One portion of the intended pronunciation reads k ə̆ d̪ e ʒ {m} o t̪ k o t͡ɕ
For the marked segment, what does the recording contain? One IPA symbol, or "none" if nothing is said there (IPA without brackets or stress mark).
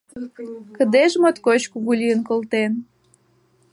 m